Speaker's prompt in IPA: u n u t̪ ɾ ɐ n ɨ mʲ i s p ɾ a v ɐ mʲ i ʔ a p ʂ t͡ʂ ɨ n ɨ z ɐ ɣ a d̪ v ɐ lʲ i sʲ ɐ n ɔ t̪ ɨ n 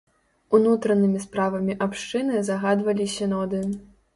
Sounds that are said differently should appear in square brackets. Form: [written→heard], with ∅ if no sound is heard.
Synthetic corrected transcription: u n u t̪ ɾ ɐ n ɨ mʲ i s p ɾ a v ɐ mʲ i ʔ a p ʂ t͡ʂ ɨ n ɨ z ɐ ɣ a d̪ v ɐ lʲ i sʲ ɐ n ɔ [t̪→d̪] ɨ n